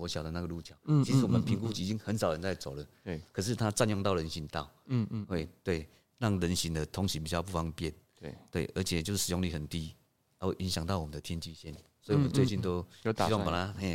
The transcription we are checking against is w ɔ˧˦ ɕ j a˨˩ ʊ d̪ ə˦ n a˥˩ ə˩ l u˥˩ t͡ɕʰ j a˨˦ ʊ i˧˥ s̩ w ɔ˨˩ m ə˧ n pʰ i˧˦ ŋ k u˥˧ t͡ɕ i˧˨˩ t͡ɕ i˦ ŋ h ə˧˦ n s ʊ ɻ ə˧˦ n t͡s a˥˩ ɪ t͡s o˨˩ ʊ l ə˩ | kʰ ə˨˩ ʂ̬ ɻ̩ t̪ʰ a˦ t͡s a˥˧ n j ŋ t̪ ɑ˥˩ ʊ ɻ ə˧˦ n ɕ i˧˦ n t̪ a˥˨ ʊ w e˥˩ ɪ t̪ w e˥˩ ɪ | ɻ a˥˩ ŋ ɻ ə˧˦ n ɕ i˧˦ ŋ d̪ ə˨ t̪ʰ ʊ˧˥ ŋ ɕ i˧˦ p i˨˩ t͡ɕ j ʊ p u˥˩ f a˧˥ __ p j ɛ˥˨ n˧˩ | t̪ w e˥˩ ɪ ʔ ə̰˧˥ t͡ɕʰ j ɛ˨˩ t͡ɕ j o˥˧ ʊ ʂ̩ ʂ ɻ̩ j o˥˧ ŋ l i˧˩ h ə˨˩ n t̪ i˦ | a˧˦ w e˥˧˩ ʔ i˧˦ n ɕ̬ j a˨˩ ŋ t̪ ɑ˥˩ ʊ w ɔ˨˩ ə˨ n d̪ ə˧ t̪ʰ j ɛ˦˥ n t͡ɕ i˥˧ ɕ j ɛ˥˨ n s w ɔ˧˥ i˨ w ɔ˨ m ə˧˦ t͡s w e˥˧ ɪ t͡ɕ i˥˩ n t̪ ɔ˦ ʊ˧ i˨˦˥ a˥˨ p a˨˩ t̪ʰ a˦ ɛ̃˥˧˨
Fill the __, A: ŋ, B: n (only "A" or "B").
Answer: A